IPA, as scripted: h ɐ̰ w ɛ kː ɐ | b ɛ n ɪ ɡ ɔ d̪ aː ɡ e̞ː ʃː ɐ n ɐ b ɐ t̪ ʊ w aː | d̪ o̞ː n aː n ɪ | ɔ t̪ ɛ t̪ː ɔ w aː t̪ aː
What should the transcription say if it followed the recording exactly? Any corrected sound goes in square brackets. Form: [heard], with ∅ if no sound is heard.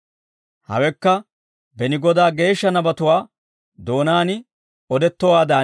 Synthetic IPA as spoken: h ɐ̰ w ɛ kː ɐ | b ɛ n ɪ ɡ ɔ d̪ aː ɡ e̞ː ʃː ɐ n ɐ b ɐ t̪ ʊ w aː | d̪ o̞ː n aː n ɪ | ɔ [d̪] ɛ t̪ː ɔ w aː [d̪] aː